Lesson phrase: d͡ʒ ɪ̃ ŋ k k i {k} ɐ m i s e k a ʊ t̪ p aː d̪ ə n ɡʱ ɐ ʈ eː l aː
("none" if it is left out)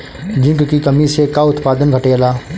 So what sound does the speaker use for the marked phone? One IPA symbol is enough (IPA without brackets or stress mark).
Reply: k